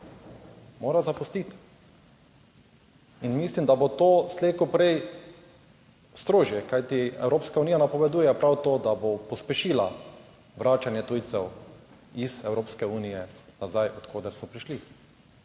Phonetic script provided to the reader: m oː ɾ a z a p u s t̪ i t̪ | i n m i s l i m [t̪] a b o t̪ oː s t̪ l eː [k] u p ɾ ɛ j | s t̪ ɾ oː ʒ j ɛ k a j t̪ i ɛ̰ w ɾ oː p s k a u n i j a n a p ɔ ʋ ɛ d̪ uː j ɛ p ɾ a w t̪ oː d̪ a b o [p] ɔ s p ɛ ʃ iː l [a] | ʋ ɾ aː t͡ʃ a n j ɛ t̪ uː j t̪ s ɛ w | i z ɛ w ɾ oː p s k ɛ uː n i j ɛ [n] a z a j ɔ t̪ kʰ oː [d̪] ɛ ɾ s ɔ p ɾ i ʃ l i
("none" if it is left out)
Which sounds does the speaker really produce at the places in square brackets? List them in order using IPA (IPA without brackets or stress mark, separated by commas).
d̪, k, p, a, n, d̪